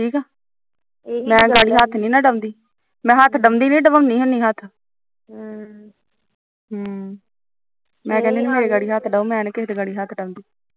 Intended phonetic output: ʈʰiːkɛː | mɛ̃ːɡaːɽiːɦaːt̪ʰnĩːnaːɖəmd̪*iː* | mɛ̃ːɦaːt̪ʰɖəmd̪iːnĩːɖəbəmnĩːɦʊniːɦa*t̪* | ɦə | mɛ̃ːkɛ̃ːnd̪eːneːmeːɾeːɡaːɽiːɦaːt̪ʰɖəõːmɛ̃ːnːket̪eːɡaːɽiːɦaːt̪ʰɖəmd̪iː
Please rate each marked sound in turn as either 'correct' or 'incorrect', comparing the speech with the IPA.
correct, incorrect

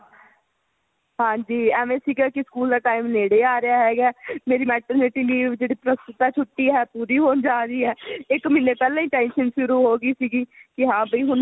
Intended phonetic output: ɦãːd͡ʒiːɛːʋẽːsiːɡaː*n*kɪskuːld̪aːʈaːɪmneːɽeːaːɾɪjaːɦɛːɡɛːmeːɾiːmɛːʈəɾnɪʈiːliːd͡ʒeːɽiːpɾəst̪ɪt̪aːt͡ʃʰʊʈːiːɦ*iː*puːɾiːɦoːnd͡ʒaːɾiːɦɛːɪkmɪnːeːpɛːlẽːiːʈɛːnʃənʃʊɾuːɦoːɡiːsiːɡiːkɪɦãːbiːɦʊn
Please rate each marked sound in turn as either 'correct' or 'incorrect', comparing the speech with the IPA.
incorrect, incorrect

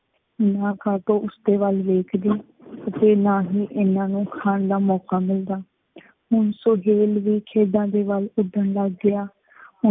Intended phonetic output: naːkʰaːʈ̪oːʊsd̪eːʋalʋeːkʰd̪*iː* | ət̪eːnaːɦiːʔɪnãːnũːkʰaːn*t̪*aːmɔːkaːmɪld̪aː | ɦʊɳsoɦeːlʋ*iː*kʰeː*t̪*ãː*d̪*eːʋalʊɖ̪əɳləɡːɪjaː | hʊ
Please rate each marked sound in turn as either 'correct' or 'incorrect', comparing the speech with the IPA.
correct, incorrect, correct, incorrect, correct

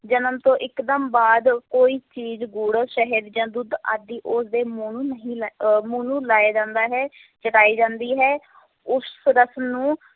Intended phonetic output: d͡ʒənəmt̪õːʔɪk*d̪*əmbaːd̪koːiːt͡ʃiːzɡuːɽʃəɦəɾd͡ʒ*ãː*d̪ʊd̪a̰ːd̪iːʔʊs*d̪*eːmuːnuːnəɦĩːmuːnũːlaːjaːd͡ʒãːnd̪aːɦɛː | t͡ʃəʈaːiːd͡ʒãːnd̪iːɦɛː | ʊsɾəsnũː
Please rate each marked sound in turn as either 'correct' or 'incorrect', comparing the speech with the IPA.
correct, correct, correct

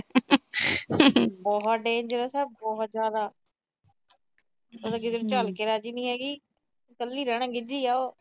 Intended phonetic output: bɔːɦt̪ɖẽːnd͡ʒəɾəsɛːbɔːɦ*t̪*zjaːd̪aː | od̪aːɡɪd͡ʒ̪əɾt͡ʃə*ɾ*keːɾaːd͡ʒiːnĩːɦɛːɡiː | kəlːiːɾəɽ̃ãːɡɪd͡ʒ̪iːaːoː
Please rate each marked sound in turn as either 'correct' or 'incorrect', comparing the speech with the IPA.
correct, incorrect

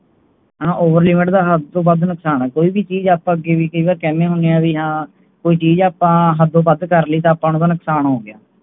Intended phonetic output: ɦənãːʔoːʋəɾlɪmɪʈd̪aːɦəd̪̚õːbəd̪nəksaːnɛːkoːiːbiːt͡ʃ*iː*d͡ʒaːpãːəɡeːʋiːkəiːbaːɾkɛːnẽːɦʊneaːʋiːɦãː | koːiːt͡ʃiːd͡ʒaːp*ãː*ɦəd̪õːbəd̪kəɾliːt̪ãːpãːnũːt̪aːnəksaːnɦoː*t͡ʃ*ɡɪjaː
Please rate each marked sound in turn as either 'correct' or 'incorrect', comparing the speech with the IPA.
correct, correct, incorrect

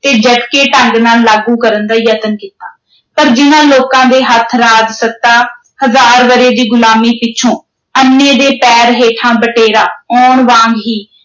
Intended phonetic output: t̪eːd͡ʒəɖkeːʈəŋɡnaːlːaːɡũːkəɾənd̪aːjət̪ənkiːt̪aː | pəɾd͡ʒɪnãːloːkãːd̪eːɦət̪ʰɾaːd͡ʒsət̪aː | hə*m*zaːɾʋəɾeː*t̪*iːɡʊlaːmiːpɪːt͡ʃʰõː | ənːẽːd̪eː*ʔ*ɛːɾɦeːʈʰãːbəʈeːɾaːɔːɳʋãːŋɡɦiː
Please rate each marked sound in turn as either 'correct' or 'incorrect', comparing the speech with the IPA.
incorrect, incorrect, incorrect

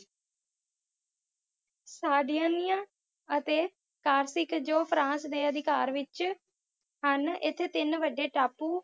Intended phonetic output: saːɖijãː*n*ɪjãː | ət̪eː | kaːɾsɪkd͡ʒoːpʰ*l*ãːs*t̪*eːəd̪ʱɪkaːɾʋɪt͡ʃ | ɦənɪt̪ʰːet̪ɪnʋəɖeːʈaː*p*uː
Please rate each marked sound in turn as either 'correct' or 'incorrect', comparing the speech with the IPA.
correct, incorrect, incorrect, correct

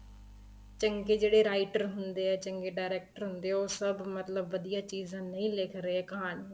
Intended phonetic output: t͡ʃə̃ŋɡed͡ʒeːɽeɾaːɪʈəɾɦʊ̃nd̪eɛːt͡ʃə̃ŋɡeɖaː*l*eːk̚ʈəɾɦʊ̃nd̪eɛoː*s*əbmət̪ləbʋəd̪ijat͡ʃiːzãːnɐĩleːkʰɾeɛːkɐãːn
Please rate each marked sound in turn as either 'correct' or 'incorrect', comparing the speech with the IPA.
incorrect, correct

